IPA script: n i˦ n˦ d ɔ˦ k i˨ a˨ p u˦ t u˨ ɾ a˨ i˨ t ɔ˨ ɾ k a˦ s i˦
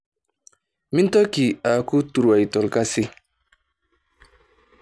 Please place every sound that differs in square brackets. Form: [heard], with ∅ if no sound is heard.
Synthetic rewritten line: [m] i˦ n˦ [t] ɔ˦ k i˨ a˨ [k] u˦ t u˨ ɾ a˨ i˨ t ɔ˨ [l] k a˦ s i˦